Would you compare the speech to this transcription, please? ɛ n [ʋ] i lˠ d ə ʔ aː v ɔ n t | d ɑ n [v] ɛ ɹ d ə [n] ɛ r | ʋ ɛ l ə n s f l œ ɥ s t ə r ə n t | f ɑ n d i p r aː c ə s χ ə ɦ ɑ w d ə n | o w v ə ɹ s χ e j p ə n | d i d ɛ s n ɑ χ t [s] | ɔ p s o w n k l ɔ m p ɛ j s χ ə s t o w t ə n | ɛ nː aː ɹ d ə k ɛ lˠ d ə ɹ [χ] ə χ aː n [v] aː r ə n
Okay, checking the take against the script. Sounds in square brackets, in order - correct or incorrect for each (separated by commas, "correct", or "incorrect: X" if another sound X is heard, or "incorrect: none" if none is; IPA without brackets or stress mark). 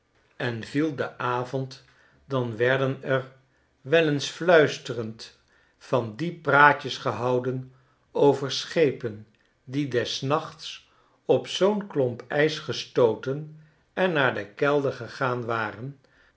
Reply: incorrect: v, incorrect: ʋ, correct, correct, correct, incorrect: ʋ